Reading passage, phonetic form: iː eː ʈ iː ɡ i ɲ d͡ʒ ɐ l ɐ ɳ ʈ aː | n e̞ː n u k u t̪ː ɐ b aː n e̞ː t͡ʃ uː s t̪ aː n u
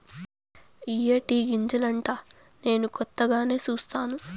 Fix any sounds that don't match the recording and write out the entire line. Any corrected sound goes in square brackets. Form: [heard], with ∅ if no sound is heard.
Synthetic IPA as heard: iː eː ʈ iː ɡ i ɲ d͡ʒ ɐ l ɐ ɳ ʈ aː | n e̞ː n u k [ɔ] t̪ː ɐ [ɡ] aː n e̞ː t͡ʃ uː s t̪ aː n u